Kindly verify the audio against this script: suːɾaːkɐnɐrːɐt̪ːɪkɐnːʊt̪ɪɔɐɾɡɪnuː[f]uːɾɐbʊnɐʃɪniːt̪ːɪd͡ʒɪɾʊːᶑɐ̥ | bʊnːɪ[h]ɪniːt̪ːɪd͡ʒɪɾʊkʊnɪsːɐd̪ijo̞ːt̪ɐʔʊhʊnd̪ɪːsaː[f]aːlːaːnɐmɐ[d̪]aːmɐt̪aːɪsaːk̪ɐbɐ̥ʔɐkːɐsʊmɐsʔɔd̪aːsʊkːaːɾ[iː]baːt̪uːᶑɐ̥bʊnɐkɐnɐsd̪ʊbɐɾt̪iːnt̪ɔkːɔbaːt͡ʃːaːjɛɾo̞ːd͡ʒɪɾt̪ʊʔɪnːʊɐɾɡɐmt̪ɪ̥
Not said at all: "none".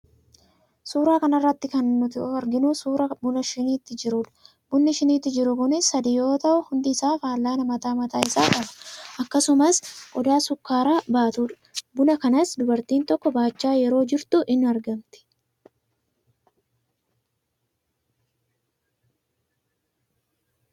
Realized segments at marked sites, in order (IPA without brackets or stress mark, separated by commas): s, ʃ, f, t̪, aː